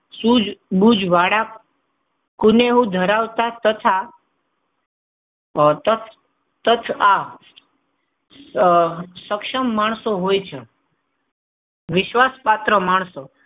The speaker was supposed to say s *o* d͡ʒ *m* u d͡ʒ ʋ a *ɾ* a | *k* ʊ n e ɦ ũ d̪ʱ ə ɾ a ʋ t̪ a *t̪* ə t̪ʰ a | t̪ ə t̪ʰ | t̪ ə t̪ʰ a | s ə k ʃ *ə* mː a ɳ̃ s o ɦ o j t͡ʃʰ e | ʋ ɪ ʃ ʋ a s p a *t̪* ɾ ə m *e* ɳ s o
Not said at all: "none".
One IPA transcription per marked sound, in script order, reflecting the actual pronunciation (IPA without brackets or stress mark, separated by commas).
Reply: u, b, ɽ, k, t̪, ə, t̪, a